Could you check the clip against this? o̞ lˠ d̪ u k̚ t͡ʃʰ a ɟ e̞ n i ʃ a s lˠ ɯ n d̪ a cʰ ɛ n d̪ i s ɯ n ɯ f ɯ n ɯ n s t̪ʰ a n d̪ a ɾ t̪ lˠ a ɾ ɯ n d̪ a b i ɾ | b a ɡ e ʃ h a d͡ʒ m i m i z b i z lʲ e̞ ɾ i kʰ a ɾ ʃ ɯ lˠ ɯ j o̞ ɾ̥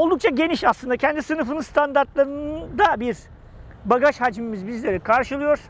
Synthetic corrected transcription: o̞ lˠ d̪ u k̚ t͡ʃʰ a ɟ e̞ n i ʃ a s lˠ ɯ n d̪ a cʰ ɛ n d̪ i s ɯ n ɯ f ɯ n ɯ n s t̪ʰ a n d̪ a ɾ t̪ lˠ a ɾ ɯ n d̪ a b i ɾ | b a ɡ a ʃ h a d͡ʒ m i m i z b i z lʲ e̞ ɾ i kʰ a ɾ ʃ ɯ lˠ ɯ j o̞ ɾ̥